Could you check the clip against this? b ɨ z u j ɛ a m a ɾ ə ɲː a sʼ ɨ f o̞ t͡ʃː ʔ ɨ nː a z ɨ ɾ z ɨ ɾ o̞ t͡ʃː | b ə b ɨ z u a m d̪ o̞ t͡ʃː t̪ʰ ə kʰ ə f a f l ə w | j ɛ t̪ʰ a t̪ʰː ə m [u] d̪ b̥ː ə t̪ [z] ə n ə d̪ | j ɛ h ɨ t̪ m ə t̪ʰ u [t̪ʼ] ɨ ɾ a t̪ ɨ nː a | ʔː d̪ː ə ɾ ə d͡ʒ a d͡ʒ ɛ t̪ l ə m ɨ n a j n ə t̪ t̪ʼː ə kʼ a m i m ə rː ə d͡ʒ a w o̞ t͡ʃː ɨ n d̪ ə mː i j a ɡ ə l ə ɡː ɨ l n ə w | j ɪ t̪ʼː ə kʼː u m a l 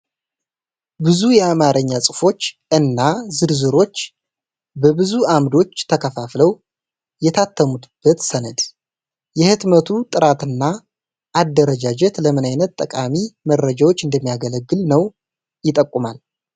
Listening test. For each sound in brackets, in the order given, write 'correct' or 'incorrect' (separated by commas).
correct, incorrect, correct